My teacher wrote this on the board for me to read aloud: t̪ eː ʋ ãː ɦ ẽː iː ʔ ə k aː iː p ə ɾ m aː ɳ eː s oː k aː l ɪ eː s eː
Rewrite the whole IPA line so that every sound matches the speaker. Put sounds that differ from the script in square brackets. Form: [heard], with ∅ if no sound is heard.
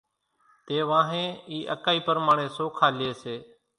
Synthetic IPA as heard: t̪ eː ʋ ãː ɦ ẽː iː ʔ ə k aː iː p ə ɾ m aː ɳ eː s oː [kʰ] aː l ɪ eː s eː